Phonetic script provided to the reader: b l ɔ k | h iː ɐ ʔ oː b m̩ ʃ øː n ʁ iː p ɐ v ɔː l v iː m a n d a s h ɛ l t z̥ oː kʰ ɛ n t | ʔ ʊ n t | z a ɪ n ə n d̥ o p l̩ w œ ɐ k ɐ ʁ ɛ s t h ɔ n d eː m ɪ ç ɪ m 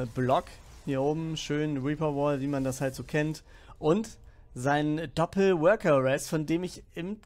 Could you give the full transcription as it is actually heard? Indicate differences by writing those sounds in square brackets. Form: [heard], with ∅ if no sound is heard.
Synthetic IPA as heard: b l ɔ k | h iː ɐ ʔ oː b m̩ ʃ øː n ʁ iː p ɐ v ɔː l v iː m a n d a s h [a] l t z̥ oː kʰ ɛ n t | ʔ ʊ n t | z a ɪ n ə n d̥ [ɔ] p l̩ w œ ɐ k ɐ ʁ ɛ s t [f] ɔ n d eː m ɪ ç ɪ m